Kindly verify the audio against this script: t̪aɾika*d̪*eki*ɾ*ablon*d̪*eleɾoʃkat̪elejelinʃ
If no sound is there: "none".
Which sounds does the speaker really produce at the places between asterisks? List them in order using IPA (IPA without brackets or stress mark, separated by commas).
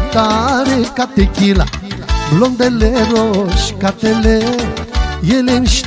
t̪, l, d̪